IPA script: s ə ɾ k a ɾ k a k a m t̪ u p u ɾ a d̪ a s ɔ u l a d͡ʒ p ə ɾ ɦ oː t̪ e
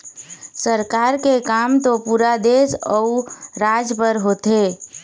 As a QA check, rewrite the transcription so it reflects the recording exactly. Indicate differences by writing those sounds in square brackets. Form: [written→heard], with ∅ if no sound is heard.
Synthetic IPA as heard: s ə ɾ k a ɾ k [a→e] k a m t̪ [u→o] p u ɾ a d̪ [a→e] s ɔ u [l→ɾ] a d͡ʒ p ə ɾ ɦ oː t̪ e